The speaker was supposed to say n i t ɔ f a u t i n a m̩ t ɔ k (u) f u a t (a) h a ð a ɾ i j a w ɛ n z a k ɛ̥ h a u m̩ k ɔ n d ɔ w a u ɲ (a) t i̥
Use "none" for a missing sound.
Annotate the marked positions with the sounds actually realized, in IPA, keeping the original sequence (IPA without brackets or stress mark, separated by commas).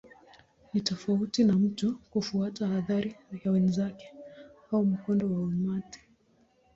u, a, a